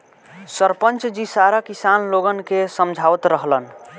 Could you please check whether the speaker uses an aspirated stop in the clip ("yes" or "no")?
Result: no